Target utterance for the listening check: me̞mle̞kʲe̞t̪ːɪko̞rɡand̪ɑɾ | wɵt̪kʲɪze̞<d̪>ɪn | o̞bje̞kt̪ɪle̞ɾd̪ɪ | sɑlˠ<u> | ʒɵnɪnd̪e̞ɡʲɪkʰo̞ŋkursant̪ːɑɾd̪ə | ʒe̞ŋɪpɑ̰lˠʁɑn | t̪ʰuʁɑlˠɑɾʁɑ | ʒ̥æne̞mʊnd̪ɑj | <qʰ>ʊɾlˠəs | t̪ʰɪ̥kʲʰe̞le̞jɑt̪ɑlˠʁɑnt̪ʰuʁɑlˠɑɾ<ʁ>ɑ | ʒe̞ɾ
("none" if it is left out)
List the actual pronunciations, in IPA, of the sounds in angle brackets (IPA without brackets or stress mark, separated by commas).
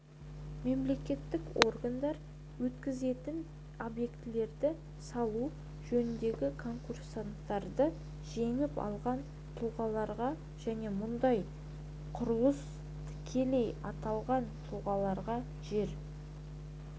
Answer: t̪, u, qʰ, ʁ